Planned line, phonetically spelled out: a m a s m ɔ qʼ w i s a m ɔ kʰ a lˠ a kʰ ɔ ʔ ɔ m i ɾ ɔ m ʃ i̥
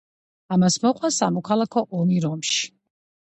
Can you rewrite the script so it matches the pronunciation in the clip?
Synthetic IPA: a m a s m ɔ qʼ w a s a m ɔ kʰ a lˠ a kʰ ɔ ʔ ɔ m i ɾ ɔ m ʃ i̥